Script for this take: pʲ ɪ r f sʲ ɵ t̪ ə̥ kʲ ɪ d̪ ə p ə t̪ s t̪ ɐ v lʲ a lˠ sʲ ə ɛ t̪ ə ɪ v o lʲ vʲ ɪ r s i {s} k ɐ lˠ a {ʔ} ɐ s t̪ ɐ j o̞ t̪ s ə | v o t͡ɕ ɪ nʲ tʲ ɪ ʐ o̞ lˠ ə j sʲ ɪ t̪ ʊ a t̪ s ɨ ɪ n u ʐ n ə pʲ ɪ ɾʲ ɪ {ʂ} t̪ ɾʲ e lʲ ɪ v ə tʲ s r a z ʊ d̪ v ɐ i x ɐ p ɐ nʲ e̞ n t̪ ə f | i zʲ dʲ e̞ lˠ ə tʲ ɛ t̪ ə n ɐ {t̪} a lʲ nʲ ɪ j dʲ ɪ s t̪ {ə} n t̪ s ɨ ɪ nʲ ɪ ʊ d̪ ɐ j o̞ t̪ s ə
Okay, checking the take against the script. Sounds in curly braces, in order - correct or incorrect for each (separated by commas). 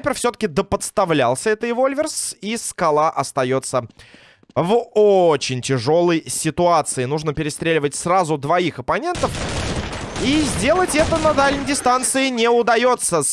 correct, correct, incorrect, incorrect, incorrect